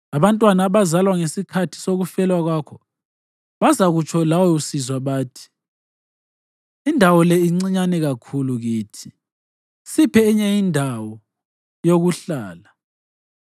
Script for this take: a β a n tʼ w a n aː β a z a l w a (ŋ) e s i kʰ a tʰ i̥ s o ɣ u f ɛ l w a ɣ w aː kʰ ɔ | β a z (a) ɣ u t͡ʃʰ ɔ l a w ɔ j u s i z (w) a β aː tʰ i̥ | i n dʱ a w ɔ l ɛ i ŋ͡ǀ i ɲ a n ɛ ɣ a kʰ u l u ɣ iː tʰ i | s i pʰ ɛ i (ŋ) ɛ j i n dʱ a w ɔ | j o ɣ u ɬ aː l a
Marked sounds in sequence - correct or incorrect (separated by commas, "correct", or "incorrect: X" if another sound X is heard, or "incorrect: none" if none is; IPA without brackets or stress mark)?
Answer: correct, correct, correct, incorrect: ɲ